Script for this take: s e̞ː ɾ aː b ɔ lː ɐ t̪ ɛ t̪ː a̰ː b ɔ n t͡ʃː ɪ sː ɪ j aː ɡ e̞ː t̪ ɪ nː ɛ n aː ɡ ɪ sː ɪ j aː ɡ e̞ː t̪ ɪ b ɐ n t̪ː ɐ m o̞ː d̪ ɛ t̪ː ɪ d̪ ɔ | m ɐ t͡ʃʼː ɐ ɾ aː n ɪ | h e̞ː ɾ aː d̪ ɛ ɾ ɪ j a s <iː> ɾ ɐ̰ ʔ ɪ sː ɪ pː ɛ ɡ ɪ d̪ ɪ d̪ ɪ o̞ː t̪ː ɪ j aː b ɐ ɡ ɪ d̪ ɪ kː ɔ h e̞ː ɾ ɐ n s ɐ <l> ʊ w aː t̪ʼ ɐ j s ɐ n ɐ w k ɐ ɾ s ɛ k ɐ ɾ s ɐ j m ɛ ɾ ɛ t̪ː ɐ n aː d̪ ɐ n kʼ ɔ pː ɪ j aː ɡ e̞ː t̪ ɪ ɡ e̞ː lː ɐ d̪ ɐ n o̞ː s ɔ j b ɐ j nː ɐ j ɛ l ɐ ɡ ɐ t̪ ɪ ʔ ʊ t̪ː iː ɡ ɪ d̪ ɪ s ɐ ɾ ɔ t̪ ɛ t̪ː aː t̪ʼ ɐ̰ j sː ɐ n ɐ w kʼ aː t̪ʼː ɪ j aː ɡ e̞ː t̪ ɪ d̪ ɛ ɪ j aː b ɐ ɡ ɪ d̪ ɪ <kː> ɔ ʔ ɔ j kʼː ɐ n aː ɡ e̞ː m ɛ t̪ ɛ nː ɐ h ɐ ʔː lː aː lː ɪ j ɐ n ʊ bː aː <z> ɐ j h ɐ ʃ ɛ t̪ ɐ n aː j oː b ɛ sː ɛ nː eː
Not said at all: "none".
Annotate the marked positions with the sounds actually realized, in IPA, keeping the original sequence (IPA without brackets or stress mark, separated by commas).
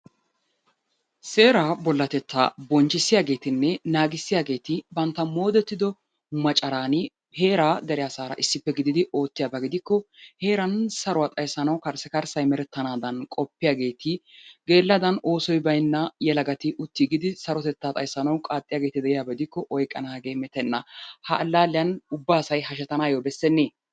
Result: aː, ɾ, kː, s